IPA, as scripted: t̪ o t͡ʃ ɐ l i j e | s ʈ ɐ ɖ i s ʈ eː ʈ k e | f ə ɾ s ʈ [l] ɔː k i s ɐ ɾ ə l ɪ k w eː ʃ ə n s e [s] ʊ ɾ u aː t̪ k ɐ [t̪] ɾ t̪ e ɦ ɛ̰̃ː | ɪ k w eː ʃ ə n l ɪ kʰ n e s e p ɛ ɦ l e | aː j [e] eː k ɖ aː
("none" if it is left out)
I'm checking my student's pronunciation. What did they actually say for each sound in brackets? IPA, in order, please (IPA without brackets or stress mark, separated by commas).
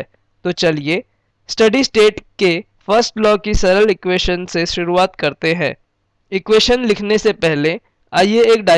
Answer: l, ʃ, none, e